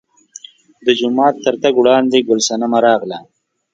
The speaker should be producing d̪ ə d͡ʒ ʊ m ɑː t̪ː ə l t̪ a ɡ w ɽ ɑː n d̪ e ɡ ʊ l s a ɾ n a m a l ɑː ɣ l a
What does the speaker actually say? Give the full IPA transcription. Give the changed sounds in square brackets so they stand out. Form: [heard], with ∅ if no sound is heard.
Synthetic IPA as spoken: d̪ ə d͡ʒ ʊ m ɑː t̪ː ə [ɾ] t̪ a ɡ w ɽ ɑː n d̪ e ɡ ʊ l s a [∅] n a m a [ɾ] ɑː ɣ l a